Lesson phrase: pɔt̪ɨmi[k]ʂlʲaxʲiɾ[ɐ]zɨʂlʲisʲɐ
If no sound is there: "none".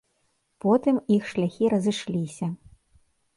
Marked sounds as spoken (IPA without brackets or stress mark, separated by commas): x, ɐ